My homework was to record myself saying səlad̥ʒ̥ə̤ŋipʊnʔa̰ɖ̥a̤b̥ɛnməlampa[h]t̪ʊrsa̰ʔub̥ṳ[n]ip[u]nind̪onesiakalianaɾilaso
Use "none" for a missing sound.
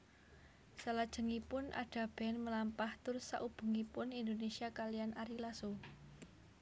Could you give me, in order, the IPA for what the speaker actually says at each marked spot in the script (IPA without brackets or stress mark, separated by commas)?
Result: h, ŋ, ʊ